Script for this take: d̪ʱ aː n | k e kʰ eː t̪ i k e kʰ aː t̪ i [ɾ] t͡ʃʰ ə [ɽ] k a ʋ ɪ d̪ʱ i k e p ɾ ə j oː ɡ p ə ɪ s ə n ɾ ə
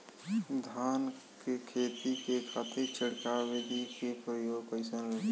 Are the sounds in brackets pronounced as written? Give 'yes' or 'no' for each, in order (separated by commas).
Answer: yes, yes